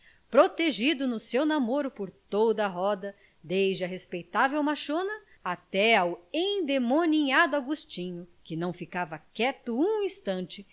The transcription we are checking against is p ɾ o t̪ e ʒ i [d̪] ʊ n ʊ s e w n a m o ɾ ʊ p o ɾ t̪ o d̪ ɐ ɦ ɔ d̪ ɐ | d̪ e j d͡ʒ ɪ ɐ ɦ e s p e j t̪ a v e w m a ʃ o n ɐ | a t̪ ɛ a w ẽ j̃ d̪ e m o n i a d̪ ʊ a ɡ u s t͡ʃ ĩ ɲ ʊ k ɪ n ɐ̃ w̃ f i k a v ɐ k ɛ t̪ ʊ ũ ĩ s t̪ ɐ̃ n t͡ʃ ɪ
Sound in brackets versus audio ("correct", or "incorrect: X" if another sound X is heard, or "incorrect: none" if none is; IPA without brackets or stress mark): correct